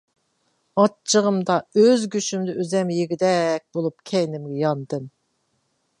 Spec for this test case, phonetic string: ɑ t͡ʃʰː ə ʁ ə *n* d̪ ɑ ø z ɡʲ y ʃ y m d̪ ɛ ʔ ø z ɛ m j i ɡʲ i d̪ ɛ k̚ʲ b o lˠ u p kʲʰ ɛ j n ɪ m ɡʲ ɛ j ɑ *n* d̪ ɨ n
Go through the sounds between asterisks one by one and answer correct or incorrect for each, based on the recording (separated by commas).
incorrect, correct